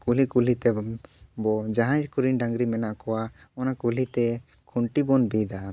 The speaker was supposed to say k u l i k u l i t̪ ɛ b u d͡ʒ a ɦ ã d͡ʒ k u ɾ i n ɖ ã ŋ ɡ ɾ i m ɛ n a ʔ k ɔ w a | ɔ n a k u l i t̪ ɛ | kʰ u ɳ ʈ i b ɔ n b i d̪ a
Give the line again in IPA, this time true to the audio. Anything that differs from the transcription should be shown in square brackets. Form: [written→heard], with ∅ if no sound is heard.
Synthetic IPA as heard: k u l i k u l i t̪ ɛ b [u→ɔ] d͡ʒ a ɦ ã d͡ʒ k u ɾ i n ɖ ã ŋ ɡ ɾ i m ɛ n a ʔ k ɔ w a | ɔ n a k u l i t̪ ɛ | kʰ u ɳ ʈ i b ɔ n b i d̪ a